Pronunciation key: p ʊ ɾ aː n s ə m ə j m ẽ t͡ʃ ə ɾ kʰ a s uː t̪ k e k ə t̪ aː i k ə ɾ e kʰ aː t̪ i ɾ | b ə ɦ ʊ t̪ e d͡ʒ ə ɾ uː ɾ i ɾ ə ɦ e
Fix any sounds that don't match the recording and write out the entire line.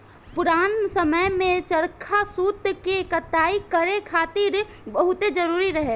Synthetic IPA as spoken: p ʊ ɾ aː n s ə m ə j m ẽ t͡ʃ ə ɾ kʰ a s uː t̪ k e k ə t̪ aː i k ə ɾ e kʰ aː t̪ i ɾ | b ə ɦ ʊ t̪ e d͡ʒ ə ɾ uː ɾ i ɾ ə ɦ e